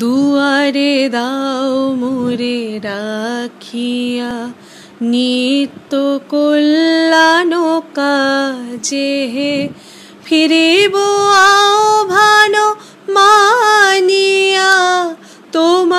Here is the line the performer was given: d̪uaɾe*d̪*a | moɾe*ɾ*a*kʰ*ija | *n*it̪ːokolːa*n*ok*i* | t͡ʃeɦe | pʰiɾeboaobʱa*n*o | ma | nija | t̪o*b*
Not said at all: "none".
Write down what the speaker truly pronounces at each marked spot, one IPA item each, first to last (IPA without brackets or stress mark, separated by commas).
d̪, ɾ, kʰ, n, n, a, n, m